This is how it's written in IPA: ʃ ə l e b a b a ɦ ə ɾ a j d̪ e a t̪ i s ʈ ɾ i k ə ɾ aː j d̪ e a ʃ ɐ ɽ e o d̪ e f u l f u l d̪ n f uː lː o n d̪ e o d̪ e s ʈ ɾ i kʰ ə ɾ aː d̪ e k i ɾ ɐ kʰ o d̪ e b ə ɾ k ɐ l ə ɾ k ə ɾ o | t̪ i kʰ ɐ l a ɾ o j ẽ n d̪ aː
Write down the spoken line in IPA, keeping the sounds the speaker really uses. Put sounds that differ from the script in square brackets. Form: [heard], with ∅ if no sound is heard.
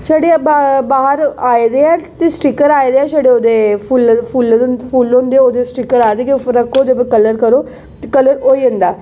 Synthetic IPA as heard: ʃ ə [ɽ] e b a b a ɦ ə ɾ a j d̪ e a t̪ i s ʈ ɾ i k ə ɾ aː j d̪ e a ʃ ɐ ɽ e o d̪ e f u l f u l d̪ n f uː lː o n d̪ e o d̪ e s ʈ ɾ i [k] ə ɾ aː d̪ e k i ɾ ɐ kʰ o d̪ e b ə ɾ k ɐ l ə ɾ k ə ɾ o | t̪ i [k] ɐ l [ə] ɾ o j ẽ n d̪ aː